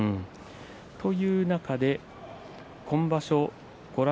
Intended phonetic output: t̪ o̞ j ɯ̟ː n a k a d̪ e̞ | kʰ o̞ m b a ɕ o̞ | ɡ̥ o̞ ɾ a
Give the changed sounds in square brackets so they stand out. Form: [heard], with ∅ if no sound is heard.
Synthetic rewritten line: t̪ o̞ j ɯ̟ː n a k a d̪ e̞ | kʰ [õ̞] m b a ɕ o̞ | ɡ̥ o̞ ɾ a

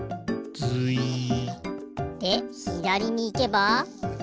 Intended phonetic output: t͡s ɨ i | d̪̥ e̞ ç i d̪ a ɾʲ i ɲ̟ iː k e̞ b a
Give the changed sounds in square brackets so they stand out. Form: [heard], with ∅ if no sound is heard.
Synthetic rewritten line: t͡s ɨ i | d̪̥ e̞ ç i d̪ a ɾʲ i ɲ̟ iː k e̞ b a

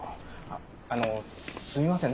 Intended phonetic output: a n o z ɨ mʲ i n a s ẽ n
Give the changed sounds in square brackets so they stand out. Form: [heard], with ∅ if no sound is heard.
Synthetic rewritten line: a n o [s] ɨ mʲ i [m] a s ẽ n

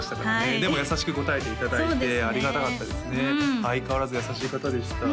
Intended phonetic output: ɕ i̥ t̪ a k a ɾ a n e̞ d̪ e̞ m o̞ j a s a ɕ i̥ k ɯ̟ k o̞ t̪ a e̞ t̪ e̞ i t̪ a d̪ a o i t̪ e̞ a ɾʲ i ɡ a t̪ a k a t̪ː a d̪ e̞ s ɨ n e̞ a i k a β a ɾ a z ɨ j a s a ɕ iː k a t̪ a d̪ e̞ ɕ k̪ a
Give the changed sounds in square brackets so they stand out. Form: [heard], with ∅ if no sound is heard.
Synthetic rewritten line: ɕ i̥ t̪ a k a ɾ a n e̞ d̪ e̞ m o̞ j a s a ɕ i̥ k ɯ̟ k o̞ t̪ a e̞ t̪ e̞ i t̪ a d̪ a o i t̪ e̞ a ɾʲ i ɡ a t̪ a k a t̪ː a d̪ e̞ s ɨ n e̞ a i k a β a ɾ a z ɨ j a s a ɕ iː k a t̪ a d̪ e̞ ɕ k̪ a

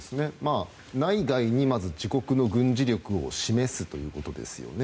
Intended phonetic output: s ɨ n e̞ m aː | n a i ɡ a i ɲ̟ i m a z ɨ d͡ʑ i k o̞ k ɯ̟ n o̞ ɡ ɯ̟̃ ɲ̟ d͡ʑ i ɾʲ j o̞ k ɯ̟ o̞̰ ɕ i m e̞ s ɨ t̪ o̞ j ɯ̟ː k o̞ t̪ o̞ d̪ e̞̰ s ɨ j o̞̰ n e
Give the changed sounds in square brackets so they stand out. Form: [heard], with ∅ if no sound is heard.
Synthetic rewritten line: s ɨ n e̞ m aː | n a i ɡ a i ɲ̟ i m a z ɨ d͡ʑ i k o̞ k ɯ̟ n o̞ ɡ ɯ̟̃ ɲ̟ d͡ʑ i ɾʲ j o̞ k ɯ̟ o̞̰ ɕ i m e̞ s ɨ t̪ o̞ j ɯ̟ː k o̞ t̪ o̞ d̪ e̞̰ s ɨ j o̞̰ n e

